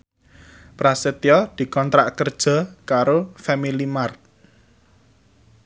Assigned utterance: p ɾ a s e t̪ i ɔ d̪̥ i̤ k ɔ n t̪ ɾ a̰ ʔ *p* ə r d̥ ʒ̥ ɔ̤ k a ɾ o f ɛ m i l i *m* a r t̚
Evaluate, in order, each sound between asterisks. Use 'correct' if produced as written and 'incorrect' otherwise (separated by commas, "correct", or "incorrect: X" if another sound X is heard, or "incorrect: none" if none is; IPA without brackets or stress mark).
incorrect: k, correct